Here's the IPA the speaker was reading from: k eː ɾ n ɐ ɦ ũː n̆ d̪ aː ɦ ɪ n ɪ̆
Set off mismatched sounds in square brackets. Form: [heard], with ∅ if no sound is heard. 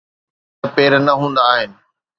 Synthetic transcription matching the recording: [p] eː ɾ n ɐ ɦ ũː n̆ d̪ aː ɦ ɪ n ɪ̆

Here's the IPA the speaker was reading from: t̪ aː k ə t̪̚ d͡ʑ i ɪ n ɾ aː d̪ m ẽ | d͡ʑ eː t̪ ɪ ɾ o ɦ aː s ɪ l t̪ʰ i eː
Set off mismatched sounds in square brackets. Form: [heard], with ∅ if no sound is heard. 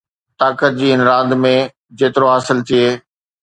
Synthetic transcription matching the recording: t̪ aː k ə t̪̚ d͡ʑ [iː] ɪ n ɾ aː d̪ m ẽ | d͡ʑ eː t̪ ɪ ɾ o ɦ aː s ɪ l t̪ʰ i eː

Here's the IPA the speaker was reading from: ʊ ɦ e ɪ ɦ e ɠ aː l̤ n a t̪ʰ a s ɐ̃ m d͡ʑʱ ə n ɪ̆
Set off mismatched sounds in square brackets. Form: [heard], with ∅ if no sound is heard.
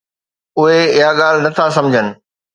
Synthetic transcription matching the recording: ʊ ɦ e ɪ ɦ [a] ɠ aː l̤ n [ɐ] t̪ʰ a s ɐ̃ m d͡ʑʱ ə n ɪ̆

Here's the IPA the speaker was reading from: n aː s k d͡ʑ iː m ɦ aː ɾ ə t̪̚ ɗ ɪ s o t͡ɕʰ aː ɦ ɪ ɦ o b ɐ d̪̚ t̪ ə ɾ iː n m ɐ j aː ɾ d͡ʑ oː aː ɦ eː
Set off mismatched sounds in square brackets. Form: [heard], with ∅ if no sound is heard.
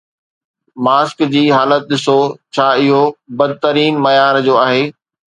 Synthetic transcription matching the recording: [m] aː s k d͡ʑ iː [∅] ɦ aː [l] ə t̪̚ ɗ ɪ s o t͡ɕʰ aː [∅] ɪ ɦ o b ɐ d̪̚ t̪ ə ɾ iː n m ɐ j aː ɾ d͡ʑ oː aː ɦ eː

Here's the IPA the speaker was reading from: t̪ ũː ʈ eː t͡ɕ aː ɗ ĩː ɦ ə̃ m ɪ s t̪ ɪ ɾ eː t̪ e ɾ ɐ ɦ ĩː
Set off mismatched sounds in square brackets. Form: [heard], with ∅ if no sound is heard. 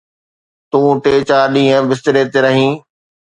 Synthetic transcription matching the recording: t̪ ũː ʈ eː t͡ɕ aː ɗ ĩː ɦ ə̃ [b] ɪ s t̪ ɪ ɾ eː t̪ e ɾ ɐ ɦ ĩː

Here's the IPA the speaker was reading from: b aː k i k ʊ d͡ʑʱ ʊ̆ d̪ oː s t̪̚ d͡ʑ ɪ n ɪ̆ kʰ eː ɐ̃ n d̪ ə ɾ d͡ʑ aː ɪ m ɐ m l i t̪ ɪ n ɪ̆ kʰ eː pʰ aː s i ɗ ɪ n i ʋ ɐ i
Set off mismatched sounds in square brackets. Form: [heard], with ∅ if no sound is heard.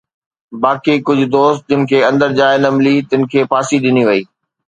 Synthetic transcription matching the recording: b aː k i k ʊ d͡ʑʱ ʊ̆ d̪ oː s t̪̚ d͡ʑ ɪ n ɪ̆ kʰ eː ɐ̃ n d̪ ə ɾ d͡ʑ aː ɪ [n] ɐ m l i t̪ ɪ n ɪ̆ kʰ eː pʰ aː s i ɗ ɪ n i ʋ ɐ [iː]

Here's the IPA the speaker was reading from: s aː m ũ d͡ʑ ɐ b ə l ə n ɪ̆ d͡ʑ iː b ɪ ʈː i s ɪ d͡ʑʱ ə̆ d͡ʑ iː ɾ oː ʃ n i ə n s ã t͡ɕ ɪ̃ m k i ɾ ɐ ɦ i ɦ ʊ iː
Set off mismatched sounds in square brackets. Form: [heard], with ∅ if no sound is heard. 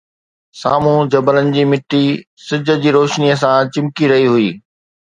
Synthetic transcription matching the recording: s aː m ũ d͡ʑ ɐ b ə l ə n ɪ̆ d͡ʑ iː [m] ɪ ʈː i s ɪ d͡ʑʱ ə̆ d͡ʑ iː ɾ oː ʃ n i ə [∅] s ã t͡ɕ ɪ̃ m k i ɾ ɐ ɦ i ɦ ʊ iː

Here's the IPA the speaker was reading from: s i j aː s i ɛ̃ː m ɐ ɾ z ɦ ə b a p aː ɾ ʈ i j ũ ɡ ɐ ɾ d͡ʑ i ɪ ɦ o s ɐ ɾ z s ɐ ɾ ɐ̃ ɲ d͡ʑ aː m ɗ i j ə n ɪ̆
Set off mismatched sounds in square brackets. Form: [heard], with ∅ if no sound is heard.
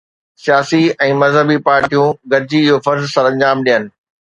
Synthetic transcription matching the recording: s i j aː s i ɛ̃ː m ɐ [∅] z ɦ ə b [i] p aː ɾ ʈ i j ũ ɡ ɐ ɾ d͡ʑ i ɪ ɦ o [f] ɐ ɾ z s ɐ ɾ ɐ̃ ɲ d͡ʑ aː m ɗ i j ə n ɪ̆

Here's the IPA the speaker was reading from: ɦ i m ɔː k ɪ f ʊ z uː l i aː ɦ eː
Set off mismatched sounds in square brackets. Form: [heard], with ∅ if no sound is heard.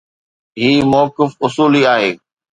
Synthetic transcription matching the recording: ɦ [iː] m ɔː k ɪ f ʊ [s] uː l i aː ɦ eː

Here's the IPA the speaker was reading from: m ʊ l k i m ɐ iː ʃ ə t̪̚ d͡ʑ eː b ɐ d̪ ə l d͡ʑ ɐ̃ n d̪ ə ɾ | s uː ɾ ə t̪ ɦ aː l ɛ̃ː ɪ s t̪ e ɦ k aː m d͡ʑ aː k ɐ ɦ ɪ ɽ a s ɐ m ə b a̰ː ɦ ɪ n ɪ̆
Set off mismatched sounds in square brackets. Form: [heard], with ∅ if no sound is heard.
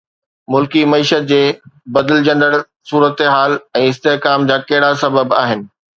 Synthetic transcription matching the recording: m ʊ l k i m ɐ iː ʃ ə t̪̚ d͡ʑ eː b ɐ d̪ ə l d͡ʑ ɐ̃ n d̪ ə [ɽ] | s uː ɾ ə t̪ ɦ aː l ɛ̃ː ɪ s t̪ e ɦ k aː m d͡ʑ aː k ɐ ɦ ɪ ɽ a s ɐ [b] ə b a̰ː ɦ ɪ n ɪ̆

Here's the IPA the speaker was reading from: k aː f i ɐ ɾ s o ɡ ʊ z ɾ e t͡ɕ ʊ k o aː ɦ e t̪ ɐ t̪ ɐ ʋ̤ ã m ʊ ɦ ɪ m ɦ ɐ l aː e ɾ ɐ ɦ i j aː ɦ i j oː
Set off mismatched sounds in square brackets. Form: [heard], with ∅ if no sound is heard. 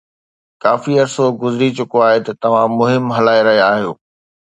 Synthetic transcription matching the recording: k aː f i ɐ ɾ s o ɡ ʊ z ɾ [i] t͡ɕ ʊ k o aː ɦ e t̪ ɐ t̪ ɐ ʋ̤ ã m ʊ ɦ ɪ m ɦ ɐ l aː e ɾ ɐ ɦ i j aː ɦ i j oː

